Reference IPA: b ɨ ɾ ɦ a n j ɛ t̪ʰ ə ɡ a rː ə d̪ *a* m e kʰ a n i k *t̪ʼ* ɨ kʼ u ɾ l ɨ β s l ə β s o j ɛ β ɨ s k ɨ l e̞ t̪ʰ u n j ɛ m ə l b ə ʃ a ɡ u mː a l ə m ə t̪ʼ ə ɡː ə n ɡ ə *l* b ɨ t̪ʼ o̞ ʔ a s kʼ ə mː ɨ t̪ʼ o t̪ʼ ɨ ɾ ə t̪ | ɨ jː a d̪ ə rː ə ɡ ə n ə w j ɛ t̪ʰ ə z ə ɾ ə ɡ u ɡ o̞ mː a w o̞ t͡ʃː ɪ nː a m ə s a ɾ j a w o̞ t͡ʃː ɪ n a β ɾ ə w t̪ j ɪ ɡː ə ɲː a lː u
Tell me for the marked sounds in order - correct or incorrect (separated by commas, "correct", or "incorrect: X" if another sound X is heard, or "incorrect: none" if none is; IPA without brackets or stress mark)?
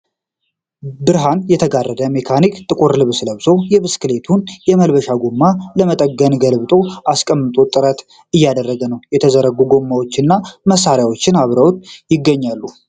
incorrect: ə, correct, correct